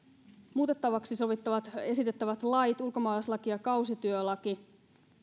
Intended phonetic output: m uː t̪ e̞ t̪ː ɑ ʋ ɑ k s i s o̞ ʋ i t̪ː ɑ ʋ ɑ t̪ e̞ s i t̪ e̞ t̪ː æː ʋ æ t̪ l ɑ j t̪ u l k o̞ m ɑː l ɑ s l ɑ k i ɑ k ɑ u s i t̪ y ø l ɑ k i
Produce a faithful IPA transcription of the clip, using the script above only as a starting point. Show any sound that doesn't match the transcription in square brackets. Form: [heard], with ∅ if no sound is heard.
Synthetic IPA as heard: m uː t̪ e̞ t̪ː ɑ ʋ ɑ k s i s o̞ ʋ i t̪ː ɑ ʋ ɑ t̪ e̞ s i t̪ e̞ t̪ː [æ] ʋ æ t̪ l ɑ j t̪ u l k o̞ m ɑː l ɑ s l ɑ k i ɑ k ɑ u s i t̪ y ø l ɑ k i